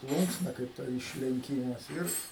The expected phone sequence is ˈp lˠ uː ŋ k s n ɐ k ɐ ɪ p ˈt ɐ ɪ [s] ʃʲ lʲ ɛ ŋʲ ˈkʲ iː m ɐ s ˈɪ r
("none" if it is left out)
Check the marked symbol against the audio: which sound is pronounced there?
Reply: none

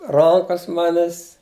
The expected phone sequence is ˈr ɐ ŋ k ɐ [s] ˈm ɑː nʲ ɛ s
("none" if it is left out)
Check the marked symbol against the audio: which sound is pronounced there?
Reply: s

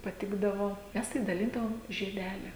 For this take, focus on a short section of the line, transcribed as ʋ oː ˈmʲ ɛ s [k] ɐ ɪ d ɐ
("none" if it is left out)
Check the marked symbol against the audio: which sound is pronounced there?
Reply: t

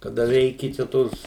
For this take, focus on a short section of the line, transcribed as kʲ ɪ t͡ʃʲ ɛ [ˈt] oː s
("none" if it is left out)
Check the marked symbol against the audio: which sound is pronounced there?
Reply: t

